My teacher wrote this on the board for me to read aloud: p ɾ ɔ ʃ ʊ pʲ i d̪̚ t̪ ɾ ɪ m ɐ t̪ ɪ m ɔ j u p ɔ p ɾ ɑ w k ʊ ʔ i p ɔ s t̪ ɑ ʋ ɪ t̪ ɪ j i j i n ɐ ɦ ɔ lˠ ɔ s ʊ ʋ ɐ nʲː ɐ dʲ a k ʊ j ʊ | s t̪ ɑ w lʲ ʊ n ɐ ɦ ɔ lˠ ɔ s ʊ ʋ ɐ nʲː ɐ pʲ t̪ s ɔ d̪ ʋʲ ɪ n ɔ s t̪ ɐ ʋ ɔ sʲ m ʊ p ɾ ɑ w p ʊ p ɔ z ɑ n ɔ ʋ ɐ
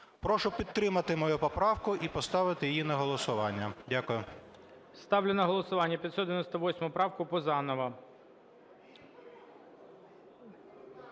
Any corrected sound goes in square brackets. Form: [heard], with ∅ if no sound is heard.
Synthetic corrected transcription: p ɾ ɔ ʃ ʊ pʲ i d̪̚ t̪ ɾ ɪ m ɐ t̪ ɪ m ɔ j u p ɔ p ɾ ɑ w k ʊ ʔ i p ɔ s t̪ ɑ ʋ ɪ t̪ ɪ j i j i n ɐ ɦ ɔ lˠ ɔ s ʊ ʋ [ɑ] nʲː ɐ dʲ a k ʊ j ʊ | s t̪ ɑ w lʲ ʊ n ɐ ɦ ɔ lˠ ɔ s ʊ ʋ [ɑ] nʲː ɐ pʲ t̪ s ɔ d̪ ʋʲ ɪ n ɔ s t̪ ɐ ʋ ɔ sʲ m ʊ p ɾ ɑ w [k] ʊ p ɔ z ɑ n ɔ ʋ ɐ

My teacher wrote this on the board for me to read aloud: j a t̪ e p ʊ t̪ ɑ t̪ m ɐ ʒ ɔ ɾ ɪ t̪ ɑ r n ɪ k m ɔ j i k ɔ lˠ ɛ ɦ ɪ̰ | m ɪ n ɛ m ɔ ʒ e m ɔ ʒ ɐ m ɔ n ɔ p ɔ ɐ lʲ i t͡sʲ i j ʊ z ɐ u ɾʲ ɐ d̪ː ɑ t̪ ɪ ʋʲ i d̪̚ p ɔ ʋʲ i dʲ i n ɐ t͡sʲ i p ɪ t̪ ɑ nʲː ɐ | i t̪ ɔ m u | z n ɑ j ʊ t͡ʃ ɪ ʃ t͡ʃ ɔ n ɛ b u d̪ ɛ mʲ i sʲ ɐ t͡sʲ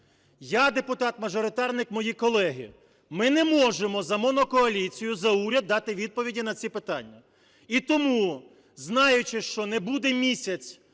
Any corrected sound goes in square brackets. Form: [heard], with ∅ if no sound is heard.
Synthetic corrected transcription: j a [d̪] e p ʊ t̪ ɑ t̪ m ɐ ʒ ɔ ɾ ɪ t̪ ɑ r n ɪ k m ɔ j i k ɔ lˠ ɛ ɦ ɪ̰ | m ɪ n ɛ m ɔ ʒ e m ɔ [z] ɐ m ɔ n ɔ [k] ɔ ɐ lʲ i t͡sʲ i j ʊ z ɐ u ɾʲ ɐ d̪ː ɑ t̪ ɪ ʋʲ i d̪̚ p ɔ ʋʲ i dʲ i n ɐ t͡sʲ i p ɪ t̪ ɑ nʲː ɐ | i t̪ ɔ m u | z n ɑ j ʊ t͡ʃ ɪ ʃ t͡ʃ ɔ n ɛ b u d̪ ɛ mʲ i sʲ ɐ t͡sʲ

